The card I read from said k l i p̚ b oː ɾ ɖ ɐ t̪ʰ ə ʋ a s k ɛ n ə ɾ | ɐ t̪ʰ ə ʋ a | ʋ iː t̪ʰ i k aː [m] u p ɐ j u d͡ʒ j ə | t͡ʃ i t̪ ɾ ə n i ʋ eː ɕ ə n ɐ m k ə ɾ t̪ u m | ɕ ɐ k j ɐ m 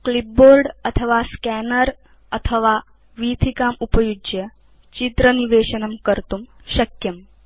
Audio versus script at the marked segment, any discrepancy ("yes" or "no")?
no